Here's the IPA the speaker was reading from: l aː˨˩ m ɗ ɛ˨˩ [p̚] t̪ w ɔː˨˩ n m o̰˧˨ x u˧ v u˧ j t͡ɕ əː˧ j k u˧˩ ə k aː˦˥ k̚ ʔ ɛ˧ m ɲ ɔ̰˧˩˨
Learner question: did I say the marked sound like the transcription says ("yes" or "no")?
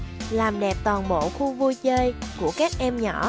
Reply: yes